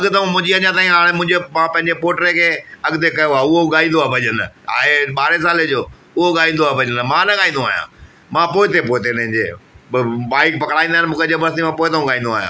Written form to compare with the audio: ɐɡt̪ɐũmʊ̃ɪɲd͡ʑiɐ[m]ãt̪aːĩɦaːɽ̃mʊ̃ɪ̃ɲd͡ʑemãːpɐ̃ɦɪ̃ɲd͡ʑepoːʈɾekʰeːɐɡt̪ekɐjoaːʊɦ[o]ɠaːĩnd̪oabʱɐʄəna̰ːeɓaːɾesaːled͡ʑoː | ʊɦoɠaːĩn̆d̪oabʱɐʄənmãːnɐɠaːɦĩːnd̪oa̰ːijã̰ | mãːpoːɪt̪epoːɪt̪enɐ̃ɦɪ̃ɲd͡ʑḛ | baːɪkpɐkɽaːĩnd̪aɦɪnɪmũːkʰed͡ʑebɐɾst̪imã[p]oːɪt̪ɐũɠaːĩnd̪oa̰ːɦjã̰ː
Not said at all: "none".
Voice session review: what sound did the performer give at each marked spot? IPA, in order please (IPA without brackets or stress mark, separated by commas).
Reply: ɲ, o, p